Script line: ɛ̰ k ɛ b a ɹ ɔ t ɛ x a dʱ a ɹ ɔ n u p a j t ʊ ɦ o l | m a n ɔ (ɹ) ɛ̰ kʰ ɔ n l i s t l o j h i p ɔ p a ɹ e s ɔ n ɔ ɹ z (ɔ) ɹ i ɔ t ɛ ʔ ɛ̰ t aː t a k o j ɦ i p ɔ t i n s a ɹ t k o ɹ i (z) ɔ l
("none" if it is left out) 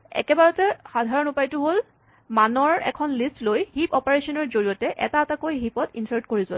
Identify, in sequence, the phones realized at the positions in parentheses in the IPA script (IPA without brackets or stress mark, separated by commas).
ɹ, o, z